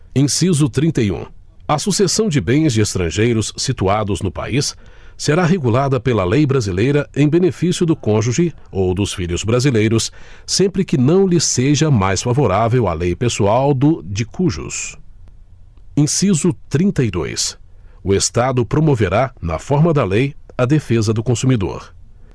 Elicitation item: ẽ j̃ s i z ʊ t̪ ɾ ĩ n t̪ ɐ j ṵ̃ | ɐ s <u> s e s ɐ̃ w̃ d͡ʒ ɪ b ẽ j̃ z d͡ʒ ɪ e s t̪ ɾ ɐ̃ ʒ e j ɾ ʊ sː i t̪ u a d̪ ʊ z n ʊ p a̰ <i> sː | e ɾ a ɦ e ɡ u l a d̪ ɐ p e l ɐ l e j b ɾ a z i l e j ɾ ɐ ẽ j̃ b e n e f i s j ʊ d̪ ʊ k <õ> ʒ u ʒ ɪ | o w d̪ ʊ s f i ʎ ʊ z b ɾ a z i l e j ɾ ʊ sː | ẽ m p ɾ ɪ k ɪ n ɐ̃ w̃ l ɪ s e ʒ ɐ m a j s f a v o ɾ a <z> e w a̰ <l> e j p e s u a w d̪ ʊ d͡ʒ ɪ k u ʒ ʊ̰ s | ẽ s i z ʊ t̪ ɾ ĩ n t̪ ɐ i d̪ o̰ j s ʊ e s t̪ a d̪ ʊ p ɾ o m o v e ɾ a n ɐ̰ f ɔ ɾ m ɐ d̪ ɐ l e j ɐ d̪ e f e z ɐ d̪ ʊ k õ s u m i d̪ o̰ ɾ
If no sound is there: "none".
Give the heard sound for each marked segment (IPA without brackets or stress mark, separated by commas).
u, i, õ, v, l